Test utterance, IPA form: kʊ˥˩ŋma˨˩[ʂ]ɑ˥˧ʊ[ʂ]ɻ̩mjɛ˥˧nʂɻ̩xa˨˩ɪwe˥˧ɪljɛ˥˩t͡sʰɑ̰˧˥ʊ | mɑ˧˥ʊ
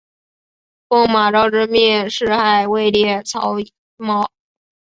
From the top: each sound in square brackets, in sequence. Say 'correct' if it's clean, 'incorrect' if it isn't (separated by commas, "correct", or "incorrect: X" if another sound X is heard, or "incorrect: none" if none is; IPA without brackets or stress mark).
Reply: incorrect: ʈ͡ʂ, incorrect: ʈ͡ʂ